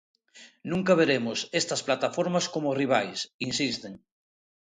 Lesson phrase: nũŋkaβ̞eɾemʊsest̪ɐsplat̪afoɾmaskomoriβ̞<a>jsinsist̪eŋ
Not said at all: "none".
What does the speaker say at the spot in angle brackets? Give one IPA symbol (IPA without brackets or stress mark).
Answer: a